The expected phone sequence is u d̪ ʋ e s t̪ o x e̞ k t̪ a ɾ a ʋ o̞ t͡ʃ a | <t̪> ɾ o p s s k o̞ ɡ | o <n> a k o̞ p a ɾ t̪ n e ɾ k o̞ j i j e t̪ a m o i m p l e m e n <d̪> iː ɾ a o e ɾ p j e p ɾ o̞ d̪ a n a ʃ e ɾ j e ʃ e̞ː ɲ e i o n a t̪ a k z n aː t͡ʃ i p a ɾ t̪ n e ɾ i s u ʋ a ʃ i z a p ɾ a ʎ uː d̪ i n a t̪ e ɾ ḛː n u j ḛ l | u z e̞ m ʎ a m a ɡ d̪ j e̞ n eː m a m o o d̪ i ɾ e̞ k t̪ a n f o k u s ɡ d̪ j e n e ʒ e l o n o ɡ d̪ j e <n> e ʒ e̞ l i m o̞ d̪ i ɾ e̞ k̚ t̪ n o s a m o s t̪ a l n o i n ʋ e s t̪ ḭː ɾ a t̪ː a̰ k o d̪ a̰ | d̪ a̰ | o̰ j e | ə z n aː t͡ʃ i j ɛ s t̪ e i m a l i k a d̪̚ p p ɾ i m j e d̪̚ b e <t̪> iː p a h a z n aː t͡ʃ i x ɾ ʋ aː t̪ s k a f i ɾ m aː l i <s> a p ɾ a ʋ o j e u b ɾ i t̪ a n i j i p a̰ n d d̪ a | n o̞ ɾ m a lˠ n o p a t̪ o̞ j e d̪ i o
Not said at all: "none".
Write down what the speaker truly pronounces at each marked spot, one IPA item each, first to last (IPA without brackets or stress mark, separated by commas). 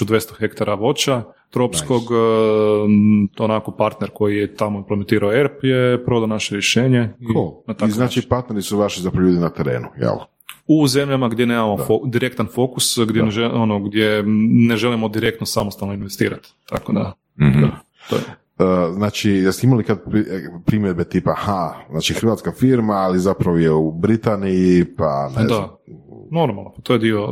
t̪, n, t̪, n, t̪, z